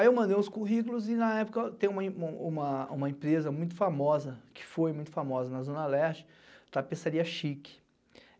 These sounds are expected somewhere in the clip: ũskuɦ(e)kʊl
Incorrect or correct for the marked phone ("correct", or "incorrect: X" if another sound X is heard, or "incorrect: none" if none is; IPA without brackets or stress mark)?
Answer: incorrect: i